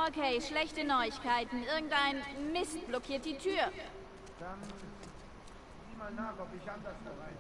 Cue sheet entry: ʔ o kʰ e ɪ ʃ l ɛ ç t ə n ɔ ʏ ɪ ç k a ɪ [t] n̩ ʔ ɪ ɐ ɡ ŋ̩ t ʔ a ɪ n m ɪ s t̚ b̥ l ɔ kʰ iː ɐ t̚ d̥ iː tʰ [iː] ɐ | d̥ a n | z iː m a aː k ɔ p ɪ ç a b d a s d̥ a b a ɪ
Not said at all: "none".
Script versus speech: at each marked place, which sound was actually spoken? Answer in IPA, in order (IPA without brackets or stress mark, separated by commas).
t, yː